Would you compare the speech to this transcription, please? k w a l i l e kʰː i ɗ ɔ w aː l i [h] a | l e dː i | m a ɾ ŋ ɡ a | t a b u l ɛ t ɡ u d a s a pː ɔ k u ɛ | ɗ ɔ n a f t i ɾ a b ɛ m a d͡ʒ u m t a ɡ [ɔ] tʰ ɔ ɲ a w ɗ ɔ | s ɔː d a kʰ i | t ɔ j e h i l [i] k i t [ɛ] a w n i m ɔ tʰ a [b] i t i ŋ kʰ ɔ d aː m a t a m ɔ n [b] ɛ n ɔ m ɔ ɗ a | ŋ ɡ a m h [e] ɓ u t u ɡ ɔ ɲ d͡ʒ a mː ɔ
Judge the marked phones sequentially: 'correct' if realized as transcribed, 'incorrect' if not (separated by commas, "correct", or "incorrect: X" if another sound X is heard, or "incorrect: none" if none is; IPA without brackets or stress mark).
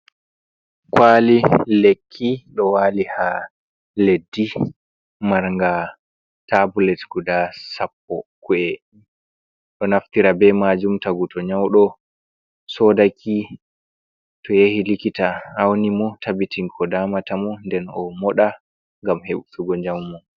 correct, incorrect: u, correct, incorrect: a, correct, incorrect: d, correct